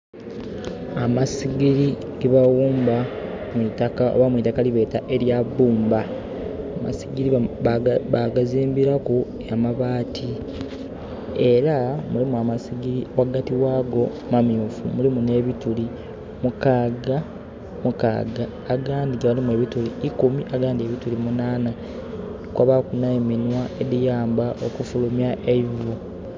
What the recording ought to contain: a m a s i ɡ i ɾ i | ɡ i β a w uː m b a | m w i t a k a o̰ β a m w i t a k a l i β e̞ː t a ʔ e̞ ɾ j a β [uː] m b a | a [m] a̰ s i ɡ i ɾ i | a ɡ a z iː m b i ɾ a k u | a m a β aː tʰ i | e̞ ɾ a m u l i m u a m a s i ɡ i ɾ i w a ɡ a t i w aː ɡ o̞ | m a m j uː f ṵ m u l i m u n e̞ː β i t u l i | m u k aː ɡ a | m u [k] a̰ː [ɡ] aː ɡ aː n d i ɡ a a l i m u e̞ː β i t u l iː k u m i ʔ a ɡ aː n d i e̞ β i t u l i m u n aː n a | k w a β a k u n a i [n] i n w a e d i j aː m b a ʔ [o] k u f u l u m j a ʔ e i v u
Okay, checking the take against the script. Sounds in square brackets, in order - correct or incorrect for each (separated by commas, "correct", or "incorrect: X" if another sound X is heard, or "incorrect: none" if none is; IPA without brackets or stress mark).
correct, correct, correct, correct, incorrect: m, correct